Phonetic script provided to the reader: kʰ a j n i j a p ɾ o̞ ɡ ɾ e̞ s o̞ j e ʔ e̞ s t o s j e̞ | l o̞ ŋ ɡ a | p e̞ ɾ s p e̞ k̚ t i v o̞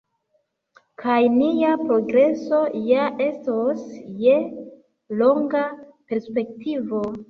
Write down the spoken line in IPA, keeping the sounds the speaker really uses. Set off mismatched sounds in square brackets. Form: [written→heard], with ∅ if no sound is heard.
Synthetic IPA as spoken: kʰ a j n i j a p ɾ o̞ ɡ ɾ e̞ s o̞ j [e→a] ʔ e̞ s t o s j e̞ | l o̞ ŋ ɡ a | p e̞ ɾ s p e̞ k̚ t i v o̞

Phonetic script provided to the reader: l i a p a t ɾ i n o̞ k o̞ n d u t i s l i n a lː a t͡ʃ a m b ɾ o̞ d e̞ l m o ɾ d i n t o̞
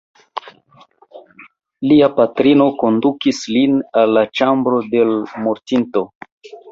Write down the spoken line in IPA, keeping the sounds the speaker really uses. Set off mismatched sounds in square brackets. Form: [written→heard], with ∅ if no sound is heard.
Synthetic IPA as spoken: l i a p a t ɾ i n o̞ k o̞ n d u [t→k] i s l i n a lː a t͡ʃ a m b ɾ o̞ d e̞ l m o ɾ [d→t] i n t o̞

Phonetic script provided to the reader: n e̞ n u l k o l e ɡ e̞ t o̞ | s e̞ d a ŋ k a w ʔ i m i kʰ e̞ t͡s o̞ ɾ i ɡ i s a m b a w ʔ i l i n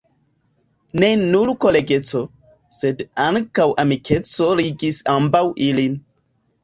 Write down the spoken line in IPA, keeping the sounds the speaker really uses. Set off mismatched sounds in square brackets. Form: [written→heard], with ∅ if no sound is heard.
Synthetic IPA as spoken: n e̞ n u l k o l e ɡ e̞ [t→t͡s] o̞ | s e̞ d a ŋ k a w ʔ [i→a] m i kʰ e̞ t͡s o̞ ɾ i ɡ i s a m b a w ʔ i l i n

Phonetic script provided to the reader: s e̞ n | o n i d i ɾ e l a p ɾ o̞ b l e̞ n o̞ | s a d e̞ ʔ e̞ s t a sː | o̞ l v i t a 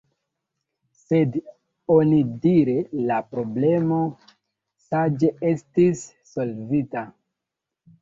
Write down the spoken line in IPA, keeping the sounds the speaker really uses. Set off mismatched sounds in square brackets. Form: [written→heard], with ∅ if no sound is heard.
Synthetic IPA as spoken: s e̞ [n→d] | o n i d i ɾ e l a p ɾ o̞ b l e̞ [n→m] o̞ | s a [d→d͡ʒ] e̞ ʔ e̞ s t [a→i] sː | o̞ l v i t a

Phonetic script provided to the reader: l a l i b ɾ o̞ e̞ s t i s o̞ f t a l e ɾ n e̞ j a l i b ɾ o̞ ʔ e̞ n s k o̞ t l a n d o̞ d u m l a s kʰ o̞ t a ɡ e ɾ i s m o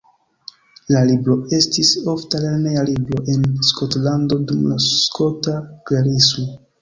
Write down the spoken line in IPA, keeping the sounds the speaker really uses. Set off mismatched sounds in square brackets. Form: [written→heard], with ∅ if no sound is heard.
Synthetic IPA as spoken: l a l i b ɾ o̞ e̞ s t i s o̞ f t a l e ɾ n e̞ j a l i b ɾ o̞ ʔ e̞ n s k o̞ t l a n d o̞ d u m l a s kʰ o̞ t a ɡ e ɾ i s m o

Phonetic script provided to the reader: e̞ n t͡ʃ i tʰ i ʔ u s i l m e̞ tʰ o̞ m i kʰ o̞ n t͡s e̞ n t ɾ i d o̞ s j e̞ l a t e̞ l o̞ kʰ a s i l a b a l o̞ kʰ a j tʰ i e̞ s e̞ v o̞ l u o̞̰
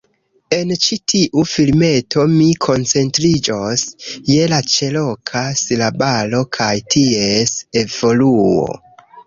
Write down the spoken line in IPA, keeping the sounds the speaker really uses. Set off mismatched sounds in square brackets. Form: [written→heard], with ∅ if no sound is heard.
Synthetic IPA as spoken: e̞ n t͡ʃ i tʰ i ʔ u [s→f] i l m e̞ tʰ o̞ m i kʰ o̞ n t͡s e̞ n t ɾ i [d→d͡ʒ] o̞ s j e̞ l a [t→t͡ʃ] e̞ l o̞ kʰ a s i l a b a l o̞ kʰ a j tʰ i e̞ s e̞ v o̞ l u o̞̰

